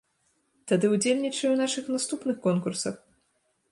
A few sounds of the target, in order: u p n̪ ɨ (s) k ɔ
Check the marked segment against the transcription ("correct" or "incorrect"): incorrect